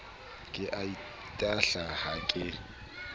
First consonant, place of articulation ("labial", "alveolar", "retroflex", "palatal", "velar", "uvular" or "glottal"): velar